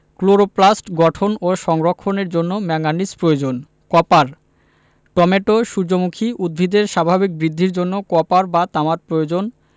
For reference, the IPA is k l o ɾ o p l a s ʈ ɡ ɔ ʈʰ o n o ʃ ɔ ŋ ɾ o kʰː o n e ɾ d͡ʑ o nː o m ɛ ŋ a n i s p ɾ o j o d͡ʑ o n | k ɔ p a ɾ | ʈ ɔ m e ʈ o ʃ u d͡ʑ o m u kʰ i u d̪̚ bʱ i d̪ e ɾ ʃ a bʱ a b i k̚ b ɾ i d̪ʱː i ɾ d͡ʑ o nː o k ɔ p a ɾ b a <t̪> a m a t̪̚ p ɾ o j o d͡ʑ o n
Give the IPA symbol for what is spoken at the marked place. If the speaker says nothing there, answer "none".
t̪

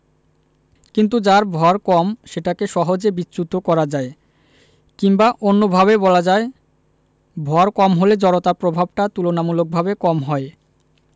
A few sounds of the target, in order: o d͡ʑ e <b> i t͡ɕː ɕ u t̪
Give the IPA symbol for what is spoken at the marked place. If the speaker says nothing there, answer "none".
b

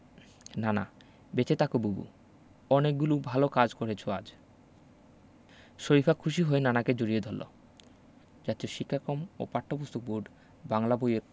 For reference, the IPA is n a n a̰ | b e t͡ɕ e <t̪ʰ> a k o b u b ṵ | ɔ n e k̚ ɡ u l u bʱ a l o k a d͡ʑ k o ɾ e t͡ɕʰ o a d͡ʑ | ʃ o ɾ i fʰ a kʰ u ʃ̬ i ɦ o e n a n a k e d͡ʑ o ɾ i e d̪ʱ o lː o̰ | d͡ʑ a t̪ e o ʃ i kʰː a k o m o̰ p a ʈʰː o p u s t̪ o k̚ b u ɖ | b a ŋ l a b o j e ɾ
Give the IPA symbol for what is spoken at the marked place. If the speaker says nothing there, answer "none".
t̪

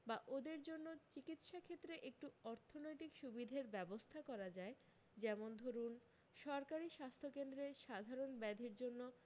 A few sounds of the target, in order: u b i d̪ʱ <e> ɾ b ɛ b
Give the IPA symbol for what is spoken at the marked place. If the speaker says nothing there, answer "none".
e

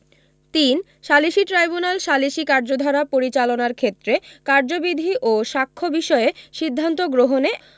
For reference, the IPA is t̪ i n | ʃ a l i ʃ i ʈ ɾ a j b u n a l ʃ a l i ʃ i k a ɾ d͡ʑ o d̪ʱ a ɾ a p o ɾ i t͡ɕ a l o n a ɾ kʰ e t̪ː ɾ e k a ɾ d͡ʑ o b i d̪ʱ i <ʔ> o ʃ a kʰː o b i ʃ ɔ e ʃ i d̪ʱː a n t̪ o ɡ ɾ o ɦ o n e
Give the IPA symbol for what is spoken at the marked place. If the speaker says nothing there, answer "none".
ʔ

